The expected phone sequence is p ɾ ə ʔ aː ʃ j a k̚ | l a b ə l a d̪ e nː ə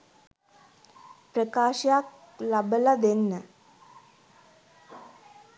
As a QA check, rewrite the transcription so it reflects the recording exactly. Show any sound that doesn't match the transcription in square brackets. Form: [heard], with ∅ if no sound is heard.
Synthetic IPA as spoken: p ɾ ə [k] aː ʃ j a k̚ | l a b ə l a d̪ e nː ə